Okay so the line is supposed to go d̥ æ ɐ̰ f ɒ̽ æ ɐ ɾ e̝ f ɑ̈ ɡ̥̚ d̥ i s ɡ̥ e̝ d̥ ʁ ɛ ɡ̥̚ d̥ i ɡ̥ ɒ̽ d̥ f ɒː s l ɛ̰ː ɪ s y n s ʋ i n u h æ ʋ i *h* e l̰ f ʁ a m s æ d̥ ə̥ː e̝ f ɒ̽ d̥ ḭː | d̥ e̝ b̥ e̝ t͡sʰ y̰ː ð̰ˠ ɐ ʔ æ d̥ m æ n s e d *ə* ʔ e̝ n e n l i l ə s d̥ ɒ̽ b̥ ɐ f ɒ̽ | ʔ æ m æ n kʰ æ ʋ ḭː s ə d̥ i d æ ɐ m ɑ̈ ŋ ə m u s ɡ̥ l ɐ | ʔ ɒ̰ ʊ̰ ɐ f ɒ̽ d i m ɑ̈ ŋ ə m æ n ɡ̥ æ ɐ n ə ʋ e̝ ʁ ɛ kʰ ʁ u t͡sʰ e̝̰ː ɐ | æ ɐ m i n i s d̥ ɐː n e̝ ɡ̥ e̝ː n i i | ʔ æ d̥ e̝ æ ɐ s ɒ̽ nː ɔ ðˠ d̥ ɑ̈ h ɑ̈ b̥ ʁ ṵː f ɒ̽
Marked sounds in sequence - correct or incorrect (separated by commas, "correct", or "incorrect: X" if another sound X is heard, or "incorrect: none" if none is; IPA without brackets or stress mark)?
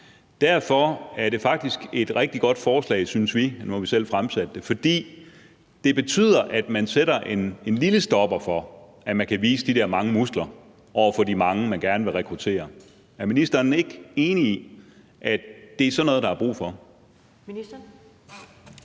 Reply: incorrect: s, incorrect: ɐ